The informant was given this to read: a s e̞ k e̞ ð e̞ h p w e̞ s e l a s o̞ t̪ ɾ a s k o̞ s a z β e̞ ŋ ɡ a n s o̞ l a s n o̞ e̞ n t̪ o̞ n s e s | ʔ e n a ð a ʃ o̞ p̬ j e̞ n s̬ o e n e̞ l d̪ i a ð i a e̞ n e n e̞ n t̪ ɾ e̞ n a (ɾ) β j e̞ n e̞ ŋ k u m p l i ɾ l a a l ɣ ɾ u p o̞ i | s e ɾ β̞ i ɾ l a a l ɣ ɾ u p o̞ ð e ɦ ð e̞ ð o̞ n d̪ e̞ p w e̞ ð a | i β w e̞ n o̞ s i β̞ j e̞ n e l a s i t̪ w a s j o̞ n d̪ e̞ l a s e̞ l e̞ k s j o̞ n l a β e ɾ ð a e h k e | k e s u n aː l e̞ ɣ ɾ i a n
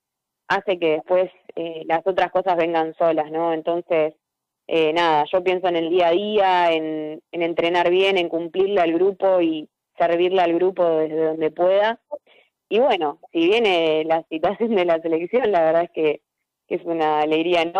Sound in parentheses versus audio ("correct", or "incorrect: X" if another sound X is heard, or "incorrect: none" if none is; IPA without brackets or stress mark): correct